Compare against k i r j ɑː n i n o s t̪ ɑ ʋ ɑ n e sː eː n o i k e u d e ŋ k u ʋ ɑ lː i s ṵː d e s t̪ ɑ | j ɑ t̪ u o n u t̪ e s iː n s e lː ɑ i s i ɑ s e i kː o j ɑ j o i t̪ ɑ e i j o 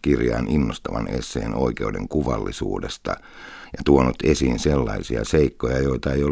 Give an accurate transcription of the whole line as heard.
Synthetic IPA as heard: k i r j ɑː n i nː o s t̪ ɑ ʋ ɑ n e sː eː n o i k e u d e ŋ k u ʋ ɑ lː i s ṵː d e s t̪ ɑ | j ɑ t̪ u o n u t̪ e s iː n s e lː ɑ i s i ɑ s e i kː o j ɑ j o i t̪ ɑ e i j o